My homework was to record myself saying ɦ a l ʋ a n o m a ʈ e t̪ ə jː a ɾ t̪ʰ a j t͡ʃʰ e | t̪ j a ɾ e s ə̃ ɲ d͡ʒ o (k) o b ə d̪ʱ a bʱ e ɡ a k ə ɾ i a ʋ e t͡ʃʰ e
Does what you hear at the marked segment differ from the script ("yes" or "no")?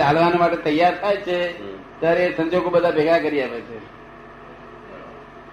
yes